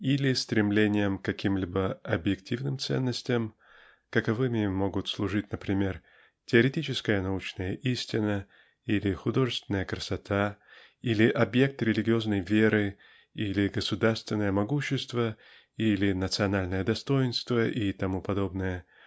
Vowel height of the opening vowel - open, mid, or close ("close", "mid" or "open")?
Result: close